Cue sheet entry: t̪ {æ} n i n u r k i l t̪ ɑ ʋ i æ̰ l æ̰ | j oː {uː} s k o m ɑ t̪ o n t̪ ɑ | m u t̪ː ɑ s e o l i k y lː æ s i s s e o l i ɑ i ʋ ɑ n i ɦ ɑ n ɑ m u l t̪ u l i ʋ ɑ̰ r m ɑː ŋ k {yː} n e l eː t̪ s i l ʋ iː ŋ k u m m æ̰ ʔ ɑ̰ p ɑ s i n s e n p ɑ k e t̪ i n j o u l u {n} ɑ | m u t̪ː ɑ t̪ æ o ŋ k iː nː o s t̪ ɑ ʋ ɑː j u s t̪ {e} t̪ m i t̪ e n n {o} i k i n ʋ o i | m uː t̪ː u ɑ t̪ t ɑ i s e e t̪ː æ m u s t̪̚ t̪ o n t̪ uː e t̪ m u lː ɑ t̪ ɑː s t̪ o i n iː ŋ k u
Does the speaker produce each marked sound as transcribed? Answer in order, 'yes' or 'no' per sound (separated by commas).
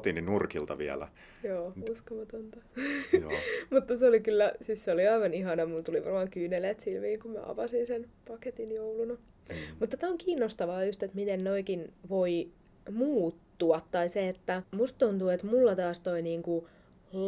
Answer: no, no, yes, yes, yes, yes